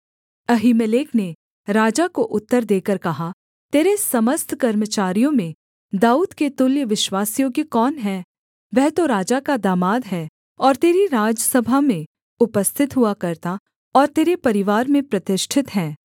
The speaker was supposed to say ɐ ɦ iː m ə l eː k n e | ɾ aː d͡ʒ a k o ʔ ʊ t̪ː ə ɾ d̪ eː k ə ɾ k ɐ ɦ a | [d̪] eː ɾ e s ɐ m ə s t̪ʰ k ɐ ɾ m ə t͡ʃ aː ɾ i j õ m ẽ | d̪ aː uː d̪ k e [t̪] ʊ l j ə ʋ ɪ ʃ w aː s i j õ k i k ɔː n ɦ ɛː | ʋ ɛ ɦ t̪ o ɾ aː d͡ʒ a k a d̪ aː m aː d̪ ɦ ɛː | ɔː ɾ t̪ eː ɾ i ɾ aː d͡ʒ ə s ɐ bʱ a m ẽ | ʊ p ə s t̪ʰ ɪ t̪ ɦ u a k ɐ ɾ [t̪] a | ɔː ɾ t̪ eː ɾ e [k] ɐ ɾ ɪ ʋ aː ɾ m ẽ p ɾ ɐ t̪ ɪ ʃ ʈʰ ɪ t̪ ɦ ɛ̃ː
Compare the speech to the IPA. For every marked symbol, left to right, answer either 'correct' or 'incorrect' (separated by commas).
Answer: incorrect, correct, correct, incorrect